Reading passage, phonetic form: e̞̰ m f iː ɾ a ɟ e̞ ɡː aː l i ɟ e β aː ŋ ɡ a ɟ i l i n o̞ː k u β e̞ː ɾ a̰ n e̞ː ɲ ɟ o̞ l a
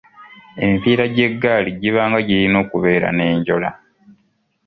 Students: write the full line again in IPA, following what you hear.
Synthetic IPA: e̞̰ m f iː ɾ a ɟ e̞ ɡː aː l i ɟ i β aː ŋ ɡ a ɟ i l i n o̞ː k u β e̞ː ɾ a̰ n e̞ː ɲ ɟ o̞ l a